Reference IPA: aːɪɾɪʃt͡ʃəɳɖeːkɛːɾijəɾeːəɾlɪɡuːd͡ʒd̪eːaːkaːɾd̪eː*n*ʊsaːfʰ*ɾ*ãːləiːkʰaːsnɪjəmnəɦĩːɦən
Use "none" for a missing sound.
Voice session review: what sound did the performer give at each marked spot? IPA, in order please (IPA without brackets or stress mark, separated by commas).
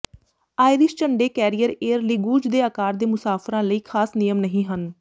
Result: m, ɾ